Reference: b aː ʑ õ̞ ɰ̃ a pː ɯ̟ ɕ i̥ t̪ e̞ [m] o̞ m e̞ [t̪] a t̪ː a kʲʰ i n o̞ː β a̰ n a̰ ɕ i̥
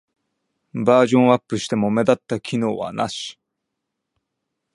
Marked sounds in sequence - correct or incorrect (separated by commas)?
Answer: correct, incorrect